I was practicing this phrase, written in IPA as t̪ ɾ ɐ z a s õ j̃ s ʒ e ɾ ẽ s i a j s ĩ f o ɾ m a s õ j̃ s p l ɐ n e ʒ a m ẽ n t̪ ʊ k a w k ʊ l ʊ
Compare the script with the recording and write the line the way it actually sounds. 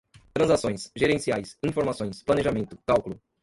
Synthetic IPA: t̪ ɾ ɐ̃ z a s õ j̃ s ʒ e ɾ ẽ s i a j s ĩ f o ɾ m a s õ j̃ s p l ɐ n e ʒ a m ẽ n t̪ ʊ k a w k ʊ l ʊ